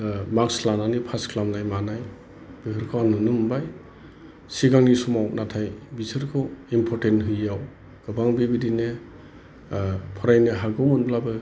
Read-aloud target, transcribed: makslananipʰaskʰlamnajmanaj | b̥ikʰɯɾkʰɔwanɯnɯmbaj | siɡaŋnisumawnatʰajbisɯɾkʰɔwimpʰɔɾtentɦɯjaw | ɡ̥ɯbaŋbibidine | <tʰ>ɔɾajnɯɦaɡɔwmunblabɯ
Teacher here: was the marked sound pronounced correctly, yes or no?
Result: no